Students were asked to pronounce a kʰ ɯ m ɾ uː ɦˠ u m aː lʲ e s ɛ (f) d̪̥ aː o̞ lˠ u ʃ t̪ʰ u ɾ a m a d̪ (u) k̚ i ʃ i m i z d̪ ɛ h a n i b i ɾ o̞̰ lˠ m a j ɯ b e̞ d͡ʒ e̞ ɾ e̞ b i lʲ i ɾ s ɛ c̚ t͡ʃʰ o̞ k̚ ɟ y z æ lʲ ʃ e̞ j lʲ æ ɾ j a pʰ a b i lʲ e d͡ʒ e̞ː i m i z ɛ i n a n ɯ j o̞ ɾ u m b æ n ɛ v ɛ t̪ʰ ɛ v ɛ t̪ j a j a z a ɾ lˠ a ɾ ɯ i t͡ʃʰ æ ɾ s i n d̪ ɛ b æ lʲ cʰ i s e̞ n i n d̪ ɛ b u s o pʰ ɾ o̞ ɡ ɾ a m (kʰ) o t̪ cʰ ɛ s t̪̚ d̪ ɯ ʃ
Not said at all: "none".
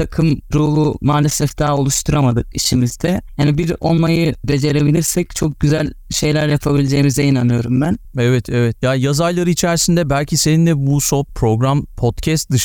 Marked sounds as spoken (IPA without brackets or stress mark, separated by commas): f, ɯ, pʰ